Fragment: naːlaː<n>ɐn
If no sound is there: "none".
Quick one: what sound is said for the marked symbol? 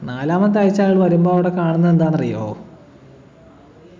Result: m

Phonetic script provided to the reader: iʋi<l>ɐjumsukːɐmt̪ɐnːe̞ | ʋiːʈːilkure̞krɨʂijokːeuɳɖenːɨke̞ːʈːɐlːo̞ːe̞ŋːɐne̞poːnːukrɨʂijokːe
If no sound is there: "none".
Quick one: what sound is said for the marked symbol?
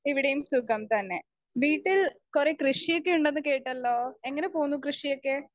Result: ɽ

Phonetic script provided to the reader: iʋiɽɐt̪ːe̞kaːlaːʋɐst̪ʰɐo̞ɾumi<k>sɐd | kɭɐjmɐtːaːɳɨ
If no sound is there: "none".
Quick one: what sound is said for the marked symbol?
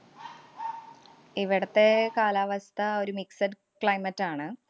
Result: k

